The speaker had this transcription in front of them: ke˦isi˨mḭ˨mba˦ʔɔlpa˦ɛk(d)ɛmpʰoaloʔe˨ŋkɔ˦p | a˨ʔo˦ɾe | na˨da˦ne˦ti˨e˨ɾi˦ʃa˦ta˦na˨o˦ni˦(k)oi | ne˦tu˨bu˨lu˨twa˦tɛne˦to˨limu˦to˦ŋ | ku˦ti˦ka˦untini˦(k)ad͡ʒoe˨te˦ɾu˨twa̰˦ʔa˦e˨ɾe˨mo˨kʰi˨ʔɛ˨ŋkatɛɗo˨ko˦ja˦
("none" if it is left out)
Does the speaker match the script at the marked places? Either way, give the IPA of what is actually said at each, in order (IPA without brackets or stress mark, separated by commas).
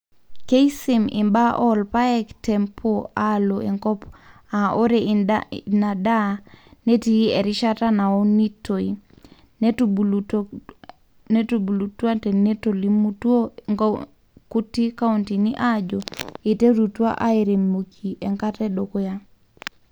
t, t, ʔ